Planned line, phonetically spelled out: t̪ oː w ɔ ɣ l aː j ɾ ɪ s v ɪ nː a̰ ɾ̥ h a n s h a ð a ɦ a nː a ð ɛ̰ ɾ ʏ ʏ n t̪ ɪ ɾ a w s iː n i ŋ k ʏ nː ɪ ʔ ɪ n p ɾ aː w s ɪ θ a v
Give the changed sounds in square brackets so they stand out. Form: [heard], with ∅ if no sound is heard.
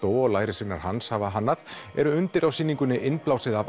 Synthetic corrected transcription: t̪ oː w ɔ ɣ l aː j ɾ ɪ s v ɪ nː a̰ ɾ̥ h a n s h a [v] a ɦ a nː a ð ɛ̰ ɾ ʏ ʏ n t̪ ɪ ɾ a w s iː n i ŋ k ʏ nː ɪ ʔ ɪ n p [l] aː w s ɪ [ð] a v